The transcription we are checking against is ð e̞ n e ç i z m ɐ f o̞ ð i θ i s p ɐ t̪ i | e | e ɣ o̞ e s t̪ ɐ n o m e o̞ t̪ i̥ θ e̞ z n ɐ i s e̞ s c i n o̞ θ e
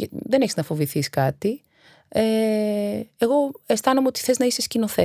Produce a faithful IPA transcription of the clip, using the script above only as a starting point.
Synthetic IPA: ð e̞ n e ç i z n ɐ f o̞ v i θ i s k ɐ t̪ i | e | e ɣ o̞ e s t̪ ɐ n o m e o̞ t̪ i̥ θ e̞ z n ɐ i s e̞ s c i n o̞ θ e